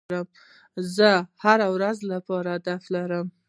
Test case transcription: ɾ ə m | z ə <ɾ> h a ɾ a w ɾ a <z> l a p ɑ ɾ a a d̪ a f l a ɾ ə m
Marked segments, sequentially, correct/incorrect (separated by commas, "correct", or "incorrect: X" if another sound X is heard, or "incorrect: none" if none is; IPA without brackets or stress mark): incorrect: none, correct